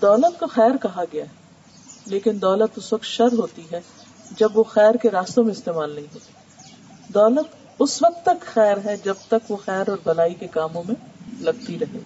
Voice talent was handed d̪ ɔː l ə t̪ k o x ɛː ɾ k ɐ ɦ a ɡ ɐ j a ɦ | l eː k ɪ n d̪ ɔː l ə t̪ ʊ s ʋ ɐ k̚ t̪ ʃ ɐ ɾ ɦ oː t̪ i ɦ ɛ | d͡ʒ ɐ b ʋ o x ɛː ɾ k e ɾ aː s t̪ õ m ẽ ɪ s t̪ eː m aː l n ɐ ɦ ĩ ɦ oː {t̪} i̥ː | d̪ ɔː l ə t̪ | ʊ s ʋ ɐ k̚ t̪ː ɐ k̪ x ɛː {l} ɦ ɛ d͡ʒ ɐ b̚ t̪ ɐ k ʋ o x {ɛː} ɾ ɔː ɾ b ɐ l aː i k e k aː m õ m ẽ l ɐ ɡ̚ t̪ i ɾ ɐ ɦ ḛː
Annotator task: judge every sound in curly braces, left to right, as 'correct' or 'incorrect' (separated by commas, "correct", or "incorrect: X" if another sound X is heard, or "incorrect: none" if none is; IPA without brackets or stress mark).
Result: correct, incorrect: ɾ, correct